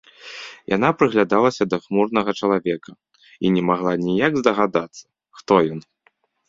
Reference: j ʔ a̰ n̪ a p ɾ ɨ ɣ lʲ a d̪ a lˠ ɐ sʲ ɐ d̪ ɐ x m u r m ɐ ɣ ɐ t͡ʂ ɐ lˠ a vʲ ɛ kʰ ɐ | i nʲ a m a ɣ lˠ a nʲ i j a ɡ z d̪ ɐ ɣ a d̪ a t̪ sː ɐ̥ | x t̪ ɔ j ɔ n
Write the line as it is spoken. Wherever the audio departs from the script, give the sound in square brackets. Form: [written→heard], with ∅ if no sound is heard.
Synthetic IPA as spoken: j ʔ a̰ n̪ a p ɾ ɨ ɣ lʲ a d̪ a lˠ ɐ sʲ ɐ d̪ ɐ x m u r [m→n] ɐ ɣ ɐ t͡ʂ ɐ lˠ a vʲ ɛ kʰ ɐ | i nʲ [a→ɛ] m a ɣ lˠ a nʲ i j a ɡ z d̪ ɐ ɣ a d̪ a t̪ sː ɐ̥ | x t̪ ɔ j ɔ n